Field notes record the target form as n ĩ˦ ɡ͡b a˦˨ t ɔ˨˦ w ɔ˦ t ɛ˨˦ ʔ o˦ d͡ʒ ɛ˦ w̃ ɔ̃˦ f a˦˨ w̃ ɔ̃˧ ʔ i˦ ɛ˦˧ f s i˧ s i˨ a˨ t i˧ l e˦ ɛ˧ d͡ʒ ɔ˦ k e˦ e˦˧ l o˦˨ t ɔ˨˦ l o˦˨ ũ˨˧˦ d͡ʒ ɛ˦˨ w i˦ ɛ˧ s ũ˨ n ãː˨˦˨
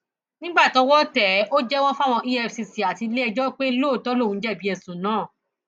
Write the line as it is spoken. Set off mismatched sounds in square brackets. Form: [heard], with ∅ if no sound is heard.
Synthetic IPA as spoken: n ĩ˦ ɡ͡b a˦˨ t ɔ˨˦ w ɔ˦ t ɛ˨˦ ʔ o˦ d͡ʒ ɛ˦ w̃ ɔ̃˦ f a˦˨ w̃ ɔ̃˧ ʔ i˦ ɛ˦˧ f s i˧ s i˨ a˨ t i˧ l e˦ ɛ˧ d͡ʒ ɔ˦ [k͡p] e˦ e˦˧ l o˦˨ t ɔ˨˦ l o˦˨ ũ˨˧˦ d͡ʒ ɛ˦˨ [b] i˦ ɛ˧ s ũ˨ n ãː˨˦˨

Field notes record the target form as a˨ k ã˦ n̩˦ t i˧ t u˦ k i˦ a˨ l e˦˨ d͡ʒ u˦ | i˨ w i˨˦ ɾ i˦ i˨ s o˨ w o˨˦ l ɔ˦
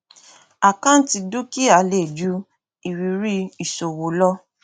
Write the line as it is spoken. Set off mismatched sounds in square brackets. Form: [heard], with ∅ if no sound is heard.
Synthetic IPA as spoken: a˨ k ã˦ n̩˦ t i˧ [d] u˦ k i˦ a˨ l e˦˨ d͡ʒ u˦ | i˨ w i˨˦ ɾ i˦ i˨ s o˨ w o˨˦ l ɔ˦

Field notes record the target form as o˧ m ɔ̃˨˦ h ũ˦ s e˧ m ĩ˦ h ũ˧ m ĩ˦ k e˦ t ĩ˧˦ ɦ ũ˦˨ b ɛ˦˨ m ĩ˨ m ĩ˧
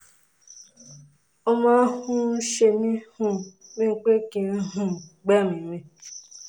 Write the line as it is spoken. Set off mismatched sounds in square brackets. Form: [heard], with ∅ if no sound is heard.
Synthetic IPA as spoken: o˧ m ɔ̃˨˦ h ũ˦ [ʃ] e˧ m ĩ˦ h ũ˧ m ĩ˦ [k͡p] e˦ [k] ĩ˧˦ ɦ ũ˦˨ [ɡ͡b] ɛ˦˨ m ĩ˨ m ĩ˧

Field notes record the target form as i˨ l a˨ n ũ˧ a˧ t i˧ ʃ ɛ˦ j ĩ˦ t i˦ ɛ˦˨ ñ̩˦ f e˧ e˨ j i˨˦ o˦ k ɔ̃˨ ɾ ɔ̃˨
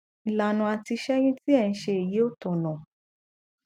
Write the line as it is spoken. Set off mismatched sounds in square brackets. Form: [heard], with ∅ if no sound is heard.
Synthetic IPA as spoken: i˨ l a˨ n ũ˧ a˧ t i˧ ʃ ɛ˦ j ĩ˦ t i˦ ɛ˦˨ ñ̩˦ [ʃ] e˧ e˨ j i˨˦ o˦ [t] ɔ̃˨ [l] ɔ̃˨

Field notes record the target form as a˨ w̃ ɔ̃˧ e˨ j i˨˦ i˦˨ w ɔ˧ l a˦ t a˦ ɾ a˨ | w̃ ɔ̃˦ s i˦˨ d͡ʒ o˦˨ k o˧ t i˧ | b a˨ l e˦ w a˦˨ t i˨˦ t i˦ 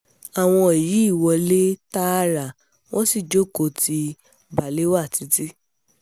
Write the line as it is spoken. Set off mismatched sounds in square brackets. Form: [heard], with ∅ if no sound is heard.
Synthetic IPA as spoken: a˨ w̃ ɔ̃˧ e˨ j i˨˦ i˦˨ w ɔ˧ l [e˦] t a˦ ɾ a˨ | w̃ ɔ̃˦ s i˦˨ d͡ʒ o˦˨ k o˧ t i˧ | b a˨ l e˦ w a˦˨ t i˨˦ t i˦

